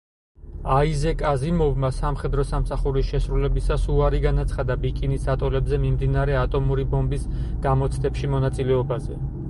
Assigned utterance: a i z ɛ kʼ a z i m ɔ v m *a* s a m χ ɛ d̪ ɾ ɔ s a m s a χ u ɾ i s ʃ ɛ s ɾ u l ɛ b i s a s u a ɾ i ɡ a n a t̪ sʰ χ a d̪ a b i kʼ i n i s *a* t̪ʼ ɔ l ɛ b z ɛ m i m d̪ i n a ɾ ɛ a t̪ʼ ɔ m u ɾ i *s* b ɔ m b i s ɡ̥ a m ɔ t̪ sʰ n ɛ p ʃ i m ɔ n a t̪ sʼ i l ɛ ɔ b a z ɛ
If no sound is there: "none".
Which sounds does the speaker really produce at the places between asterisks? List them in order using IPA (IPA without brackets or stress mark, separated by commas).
a, a, none